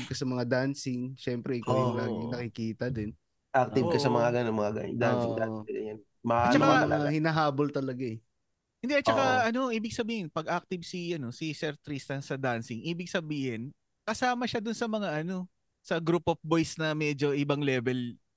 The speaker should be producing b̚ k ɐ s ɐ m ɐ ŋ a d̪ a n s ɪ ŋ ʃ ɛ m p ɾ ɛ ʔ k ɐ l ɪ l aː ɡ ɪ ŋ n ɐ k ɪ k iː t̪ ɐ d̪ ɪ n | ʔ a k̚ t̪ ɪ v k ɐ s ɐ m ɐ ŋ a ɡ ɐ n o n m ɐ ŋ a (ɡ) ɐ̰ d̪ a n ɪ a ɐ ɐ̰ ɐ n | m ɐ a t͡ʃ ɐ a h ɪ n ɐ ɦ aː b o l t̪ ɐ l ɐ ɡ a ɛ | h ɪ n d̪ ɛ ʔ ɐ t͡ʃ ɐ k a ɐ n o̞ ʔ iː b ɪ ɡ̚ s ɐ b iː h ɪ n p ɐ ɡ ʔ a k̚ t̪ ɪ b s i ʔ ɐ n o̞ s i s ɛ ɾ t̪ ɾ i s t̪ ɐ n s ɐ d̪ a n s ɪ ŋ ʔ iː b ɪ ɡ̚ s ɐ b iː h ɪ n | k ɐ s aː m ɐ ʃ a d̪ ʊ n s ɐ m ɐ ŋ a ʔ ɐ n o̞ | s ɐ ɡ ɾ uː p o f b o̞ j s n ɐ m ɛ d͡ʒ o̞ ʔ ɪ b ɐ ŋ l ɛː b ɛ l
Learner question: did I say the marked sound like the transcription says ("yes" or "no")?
yes